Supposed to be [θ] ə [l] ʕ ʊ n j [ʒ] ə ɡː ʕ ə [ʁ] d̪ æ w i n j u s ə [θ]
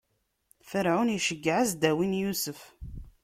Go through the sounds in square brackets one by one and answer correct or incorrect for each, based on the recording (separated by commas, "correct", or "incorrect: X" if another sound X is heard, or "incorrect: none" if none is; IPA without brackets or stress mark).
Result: incorrect: f, incorrect: ɾ, incorrect: ʃ, incorrect: z, incorrect: f